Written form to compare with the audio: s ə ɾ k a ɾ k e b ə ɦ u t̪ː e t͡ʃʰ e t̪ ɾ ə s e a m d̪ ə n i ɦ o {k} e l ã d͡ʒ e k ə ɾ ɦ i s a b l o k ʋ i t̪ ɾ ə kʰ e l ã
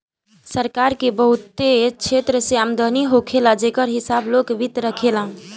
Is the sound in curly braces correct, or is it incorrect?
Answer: incorrect